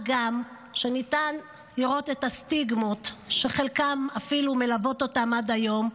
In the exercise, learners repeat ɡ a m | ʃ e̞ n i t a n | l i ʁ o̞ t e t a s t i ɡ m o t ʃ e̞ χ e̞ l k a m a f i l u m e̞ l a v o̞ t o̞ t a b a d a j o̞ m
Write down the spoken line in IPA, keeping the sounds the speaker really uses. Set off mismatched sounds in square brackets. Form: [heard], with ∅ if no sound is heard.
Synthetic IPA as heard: ɡ a m | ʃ e̞ n i t a n | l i ʁ o̞ t e t a s t i ɡ m o t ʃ e̞ χ e̞ l k a m a f i l u m e̞ l a v o̞ t o̞ t a [m] a d a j o̞ m